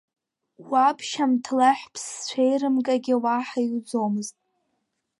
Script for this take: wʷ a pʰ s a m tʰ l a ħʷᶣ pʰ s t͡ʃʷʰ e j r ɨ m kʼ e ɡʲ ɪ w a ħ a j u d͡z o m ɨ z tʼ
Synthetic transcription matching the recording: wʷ a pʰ ʃ a m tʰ l a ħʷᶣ pʰ s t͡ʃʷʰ e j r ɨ m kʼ a ɡʲ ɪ w a ħ a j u d͡z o m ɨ z tʼ